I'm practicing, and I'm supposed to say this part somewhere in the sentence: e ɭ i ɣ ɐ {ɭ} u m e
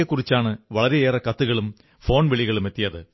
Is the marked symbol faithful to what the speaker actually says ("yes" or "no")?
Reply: yes